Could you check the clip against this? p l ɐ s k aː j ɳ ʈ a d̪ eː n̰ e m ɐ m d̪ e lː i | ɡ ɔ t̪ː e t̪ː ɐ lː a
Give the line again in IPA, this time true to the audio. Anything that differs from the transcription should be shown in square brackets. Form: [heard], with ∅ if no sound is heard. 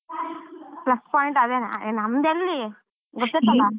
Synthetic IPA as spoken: p l ɐ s [p] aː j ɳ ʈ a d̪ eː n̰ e [n] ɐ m d̪ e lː i | ɡ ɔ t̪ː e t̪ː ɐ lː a